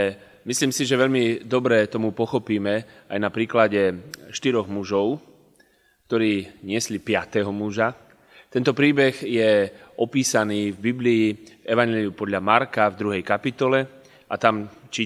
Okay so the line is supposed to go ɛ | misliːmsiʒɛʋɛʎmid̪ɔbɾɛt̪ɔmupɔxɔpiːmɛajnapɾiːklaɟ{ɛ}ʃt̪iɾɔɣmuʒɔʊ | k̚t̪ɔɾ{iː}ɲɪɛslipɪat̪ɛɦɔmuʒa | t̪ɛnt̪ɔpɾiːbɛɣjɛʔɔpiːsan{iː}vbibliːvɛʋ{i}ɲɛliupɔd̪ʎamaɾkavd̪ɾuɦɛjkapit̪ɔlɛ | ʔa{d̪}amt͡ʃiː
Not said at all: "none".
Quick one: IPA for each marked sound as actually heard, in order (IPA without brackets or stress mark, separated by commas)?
ɛ, iː, iː, a, t̪